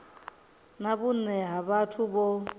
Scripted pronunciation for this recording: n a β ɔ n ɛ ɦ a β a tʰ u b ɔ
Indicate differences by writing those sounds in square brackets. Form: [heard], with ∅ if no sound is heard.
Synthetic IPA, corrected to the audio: n a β [u] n ɛ ɦ a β a tʰ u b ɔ